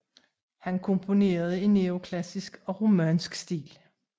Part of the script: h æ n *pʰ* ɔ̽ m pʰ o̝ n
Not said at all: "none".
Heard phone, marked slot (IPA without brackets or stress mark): kʰ